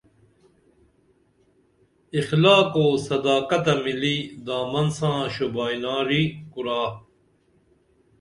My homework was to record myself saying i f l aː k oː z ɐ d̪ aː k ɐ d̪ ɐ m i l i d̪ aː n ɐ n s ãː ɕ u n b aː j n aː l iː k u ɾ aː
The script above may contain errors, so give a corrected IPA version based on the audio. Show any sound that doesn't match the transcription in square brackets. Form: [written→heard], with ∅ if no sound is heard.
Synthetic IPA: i [f→x] l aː k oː [z→s] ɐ d̪ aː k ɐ [d̪→t̪] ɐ m i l i d̪ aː [n→m] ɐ n s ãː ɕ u [n→∅] b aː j n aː [l→ɾ] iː k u ɾ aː